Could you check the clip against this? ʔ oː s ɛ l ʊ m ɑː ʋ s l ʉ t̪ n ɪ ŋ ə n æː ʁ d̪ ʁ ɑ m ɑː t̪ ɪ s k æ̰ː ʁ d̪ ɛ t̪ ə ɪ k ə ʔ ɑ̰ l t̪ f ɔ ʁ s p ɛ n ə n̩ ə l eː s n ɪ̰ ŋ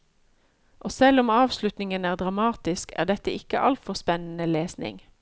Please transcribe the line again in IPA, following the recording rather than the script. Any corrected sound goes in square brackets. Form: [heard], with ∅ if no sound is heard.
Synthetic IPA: ʔ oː s ɛ l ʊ m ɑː ʋ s l ʉ t̪ n ɪ ŋ ə n æː ʁ d̪ ʁ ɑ m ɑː t̪ ɪ s k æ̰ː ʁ d̪ ɛ t̪ ə ɪ k ə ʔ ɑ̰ l t̪ f ɔ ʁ s p ɛ n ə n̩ ə l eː s n ɪ̰ ŋ